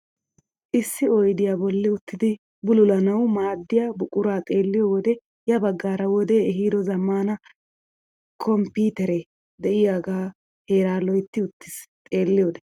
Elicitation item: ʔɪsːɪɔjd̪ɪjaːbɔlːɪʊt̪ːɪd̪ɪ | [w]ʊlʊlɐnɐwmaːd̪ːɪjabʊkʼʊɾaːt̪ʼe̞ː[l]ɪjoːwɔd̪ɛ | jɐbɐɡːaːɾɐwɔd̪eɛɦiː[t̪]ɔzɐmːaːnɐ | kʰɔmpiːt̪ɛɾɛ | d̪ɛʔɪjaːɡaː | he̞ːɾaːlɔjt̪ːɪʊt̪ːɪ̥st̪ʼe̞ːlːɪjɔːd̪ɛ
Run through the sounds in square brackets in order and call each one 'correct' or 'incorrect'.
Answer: incorrect, incorrect, incorrect

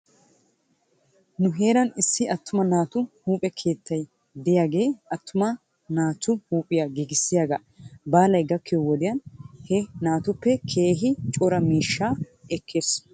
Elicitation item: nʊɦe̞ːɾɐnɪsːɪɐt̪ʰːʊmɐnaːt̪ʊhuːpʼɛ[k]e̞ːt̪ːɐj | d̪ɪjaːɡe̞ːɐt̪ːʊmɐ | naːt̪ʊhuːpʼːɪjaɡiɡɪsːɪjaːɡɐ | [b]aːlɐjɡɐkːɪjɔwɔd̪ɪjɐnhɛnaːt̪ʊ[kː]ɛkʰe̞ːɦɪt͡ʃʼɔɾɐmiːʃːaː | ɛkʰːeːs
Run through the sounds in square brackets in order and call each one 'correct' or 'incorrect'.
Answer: incorrect, correct, incorrect

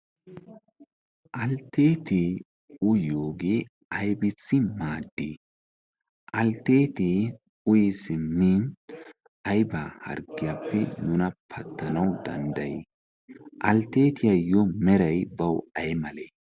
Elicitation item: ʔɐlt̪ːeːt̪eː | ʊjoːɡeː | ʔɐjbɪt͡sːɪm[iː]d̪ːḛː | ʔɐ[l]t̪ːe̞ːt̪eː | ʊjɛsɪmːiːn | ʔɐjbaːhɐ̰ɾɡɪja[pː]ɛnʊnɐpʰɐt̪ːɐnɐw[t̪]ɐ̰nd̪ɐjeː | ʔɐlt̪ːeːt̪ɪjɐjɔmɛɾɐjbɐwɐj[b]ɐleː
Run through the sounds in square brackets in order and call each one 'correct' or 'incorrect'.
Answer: incorrect, correct, correct, incorrect, incorrect

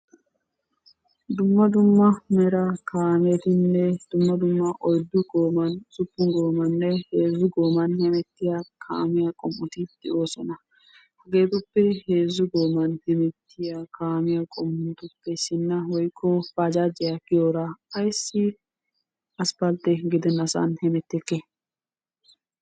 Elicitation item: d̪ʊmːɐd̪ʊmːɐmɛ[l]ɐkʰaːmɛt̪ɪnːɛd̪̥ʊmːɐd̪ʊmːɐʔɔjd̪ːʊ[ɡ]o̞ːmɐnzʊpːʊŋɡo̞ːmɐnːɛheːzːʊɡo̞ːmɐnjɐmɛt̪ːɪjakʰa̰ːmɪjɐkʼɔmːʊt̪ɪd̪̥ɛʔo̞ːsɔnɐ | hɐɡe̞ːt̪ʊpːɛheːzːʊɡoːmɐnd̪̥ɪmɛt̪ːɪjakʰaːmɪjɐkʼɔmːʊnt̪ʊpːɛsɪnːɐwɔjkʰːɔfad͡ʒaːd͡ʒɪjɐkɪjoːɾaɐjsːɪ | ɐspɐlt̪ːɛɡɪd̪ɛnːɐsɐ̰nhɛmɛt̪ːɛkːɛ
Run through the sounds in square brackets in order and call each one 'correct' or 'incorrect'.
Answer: incorrect, correct

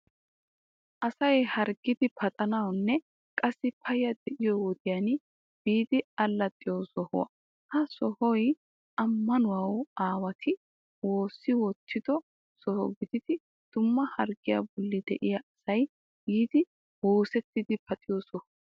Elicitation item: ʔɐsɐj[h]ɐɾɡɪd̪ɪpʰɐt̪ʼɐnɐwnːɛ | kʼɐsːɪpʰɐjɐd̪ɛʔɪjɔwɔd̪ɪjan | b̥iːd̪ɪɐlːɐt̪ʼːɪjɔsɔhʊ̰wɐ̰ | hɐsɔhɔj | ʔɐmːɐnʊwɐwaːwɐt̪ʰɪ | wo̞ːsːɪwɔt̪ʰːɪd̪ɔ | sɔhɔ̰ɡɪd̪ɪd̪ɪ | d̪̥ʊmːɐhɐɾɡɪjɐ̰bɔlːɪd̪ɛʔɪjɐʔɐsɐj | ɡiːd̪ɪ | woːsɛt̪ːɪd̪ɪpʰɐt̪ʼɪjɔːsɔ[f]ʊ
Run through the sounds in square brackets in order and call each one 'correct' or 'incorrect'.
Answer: correct, incorrect

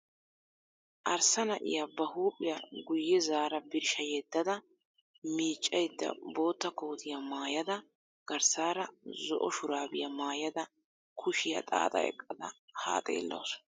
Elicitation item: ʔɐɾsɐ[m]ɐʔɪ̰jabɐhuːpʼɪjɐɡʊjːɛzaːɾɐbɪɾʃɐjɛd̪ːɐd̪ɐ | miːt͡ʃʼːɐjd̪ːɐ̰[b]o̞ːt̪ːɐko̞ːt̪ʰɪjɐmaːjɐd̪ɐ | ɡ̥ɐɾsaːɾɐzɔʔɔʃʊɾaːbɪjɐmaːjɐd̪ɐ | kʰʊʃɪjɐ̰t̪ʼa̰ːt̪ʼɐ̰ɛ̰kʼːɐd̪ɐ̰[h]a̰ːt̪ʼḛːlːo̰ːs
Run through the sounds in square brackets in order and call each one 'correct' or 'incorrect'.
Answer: incorrect, correct, correct

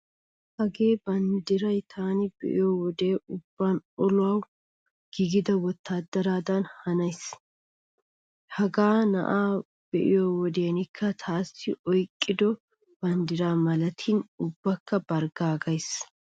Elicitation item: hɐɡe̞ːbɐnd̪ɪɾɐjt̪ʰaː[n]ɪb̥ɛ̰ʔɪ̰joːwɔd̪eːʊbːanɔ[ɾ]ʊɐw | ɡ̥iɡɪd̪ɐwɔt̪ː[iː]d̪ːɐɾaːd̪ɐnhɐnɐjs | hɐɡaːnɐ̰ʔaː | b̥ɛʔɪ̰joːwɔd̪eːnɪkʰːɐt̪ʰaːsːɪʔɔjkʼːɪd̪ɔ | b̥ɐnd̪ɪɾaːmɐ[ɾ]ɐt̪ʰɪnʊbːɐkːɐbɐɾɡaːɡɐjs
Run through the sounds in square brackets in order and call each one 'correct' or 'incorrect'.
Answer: correct, incorrect, incorrect, incorrect

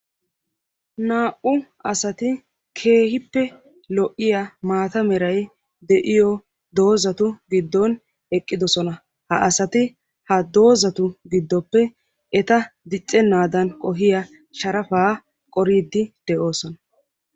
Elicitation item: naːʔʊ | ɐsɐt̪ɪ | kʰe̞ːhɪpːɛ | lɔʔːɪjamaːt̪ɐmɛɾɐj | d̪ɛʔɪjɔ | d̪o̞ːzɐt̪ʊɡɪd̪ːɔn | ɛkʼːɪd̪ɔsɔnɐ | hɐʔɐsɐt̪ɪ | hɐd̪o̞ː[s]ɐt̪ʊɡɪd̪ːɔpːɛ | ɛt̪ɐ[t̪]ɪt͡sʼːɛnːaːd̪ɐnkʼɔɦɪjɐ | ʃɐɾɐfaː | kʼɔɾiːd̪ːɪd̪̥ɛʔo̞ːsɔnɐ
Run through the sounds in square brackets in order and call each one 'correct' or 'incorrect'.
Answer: incorrect, incorrect

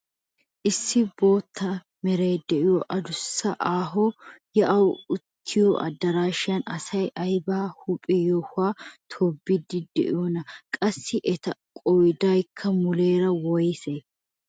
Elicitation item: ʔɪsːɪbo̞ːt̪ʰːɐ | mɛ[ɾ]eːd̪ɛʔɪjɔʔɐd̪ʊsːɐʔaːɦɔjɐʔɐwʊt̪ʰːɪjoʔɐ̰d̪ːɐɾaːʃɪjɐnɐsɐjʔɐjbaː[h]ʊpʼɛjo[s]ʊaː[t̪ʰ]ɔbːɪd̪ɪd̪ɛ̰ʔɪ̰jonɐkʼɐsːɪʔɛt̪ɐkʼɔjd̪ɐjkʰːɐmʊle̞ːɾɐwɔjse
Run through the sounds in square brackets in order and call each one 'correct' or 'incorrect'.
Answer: correct, correct, incorrect, correct

